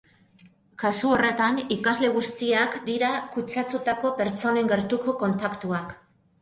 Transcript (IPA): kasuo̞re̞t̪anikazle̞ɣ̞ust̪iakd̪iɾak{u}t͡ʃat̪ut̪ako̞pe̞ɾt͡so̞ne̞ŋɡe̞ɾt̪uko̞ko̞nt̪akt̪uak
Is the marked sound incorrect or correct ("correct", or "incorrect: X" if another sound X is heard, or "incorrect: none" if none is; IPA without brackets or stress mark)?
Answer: correct